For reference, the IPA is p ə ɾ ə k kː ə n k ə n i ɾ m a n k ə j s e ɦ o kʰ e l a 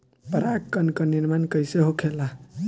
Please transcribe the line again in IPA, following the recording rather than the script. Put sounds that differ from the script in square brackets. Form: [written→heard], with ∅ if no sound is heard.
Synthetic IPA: p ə ɾ [ə→a] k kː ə n k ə n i ɾ m a n k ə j s e ɦ o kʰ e l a

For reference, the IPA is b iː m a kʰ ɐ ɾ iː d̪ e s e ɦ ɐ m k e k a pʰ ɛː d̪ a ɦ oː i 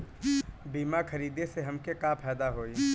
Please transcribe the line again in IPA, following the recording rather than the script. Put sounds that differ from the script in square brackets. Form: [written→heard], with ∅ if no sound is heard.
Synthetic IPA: b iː m a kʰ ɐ ɾ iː d̪ e s e ɦ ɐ m k e k a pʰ ɛː d̪ a ɦ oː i

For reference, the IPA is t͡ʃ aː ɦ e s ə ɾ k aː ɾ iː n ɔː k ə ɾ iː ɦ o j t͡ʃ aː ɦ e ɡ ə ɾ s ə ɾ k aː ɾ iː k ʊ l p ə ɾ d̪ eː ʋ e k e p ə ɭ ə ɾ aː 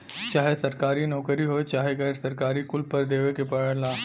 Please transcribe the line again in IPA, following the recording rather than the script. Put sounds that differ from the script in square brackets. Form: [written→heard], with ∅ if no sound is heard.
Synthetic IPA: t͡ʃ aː ɦ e s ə ɾ k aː ɾ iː n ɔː k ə ɾ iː ɦ o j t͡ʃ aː ɦ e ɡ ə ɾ s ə ɾ k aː ɾ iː k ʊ l p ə ɾ d̪ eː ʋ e k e p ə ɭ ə [ɾ→l] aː

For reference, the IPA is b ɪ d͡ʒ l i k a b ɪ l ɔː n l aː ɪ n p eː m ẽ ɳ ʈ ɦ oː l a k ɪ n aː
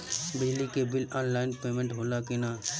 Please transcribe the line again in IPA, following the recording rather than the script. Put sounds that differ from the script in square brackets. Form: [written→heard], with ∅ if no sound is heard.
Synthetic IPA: b ɪ d͡ʒ l i k [a→e] b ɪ l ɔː n l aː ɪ n p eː m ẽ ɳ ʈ ɦ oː l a k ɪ n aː

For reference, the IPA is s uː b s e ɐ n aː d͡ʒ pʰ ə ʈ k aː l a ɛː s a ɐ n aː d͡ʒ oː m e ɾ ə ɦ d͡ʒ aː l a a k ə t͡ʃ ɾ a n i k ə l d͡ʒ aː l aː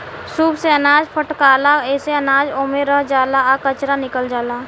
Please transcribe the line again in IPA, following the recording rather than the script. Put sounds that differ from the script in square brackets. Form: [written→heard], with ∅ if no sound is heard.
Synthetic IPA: s uː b s e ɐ n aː d͡ʒ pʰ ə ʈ k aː l a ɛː s [a→e] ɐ n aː d͡ʒ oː m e ɾ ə ɦ d͡ʒ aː l a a k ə t͡ʃ ɾ a n [i→ɪ] k ə l d͡ʒ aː l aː

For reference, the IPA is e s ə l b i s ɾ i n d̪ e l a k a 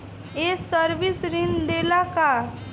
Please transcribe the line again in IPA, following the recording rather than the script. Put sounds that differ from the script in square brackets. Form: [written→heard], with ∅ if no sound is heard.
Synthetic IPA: e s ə [l→ɾ] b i s ɾ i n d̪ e l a k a

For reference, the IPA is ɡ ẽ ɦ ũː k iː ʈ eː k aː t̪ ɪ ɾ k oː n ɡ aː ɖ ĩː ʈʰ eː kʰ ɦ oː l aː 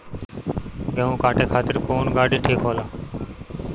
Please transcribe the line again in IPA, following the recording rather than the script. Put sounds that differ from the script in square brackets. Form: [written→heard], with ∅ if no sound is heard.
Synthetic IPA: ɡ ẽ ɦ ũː k [iː→aː] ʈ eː [k→kʰ] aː t̪ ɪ ɾ k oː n ɡ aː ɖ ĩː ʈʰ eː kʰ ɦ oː l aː

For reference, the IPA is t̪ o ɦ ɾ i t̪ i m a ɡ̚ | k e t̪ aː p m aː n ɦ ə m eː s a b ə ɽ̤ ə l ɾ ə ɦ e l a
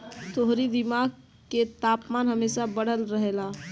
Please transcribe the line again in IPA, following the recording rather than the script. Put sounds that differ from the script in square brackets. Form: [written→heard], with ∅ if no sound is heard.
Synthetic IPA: t̪ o ɦ ɾ i [t̪→d̪] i m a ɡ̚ | k e t̪ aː p m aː n ɦ ə m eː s a b ə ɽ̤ ə l ɾ ə ɦ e l a

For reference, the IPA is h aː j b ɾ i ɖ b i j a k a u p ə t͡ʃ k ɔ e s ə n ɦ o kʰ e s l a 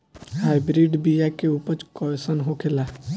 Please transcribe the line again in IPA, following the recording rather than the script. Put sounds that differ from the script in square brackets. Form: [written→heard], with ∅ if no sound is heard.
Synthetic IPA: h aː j b ɾ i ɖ b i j a k [a→e] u p ə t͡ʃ k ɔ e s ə n ɦ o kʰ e [s→∅] l a

